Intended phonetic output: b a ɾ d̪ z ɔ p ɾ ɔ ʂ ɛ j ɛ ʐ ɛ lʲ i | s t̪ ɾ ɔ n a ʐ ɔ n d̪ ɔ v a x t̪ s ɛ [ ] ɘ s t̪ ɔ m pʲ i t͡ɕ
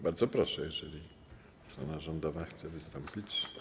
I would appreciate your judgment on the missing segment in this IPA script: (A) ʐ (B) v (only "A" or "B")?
B